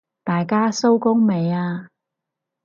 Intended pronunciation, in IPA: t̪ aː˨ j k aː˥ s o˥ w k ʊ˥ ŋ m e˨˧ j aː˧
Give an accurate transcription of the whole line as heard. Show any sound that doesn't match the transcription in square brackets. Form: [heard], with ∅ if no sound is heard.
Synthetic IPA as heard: t̪ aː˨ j k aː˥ s o˥ w k ʊ˥ ŋ m e˨˧ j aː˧